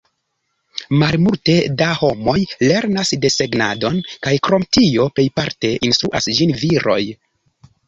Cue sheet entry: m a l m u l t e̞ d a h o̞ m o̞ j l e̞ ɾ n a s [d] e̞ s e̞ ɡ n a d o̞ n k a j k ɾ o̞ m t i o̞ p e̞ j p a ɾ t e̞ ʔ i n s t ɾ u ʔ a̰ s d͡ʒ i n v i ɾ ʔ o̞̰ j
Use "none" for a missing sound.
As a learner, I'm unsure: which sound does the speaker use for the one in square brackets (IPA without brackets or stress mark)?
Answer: d